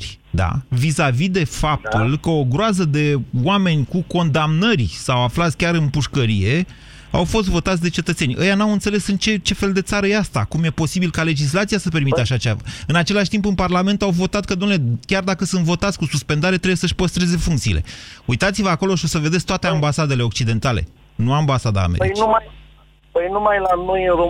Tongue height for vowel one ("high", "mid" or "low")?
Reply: low